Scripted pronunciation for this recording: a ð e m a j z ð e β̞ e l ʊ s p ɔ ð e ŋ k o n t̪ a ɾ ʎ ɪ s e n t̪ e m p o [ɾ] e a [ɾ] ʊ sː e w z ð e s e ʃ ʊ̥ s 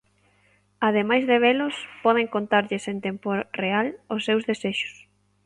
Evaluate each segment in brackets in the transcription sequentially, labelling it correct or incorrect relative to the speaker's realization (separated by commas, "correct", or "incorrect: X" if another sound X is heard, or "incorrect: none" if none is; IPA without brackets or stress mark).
incorrect: r, incorrect: l